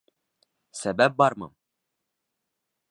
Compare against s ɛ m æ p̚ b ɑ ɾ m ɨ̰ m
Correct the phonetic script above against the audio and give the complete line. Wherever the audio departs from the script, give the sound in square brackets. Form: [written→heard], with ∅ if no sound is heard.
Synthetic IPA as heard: s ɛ [m→b] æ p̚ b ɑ ɾ m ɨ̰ m